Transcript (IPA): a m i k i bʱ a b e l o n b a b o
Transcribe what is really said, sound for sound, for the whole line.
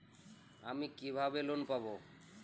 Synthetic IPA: a m i k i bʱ a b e l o n p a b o